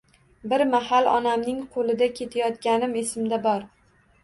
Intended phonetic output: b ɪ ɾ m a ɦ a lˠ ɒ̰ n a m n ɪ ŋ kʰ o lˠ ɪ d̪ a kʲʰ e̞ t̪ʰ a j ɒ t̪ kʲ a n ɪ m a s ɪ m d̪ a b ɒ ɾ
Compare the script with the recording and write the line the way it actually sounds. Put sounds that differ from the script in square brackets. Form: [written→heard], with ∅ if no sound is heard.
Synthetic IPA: b ɪ ɾ m a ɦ a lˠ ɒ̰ n a m n ɪ ŋ [kʰ→qʰ] o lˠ ɪ d̪ a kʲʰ e̞ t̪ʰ a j ɒ t̪ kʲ a n ɪ m [a→e] s ɪ m d̪ a b ɒ ɾ